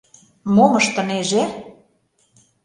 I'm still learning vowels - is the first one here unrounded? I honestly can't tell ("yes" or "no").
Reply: no